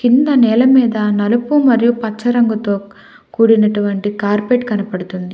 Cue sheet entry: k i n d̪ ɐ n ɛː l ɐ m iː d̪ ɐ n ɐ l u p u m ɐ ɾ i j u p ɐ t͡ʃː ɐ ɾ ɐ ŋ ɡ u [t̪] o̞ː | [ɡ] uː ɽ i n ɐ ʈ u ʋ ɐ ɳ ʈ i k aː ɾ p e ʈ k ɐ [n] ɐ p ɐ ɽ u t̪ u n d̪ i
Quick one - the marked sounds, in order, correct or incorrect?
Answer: correct, incorrect, correct

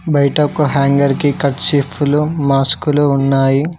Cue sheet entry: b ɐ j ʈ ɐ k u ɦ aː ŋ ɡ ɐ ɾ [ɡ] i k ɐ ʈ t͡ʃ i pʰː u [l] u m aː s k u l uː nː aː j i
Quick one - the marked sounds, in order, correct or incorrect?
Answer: incorrect, correct

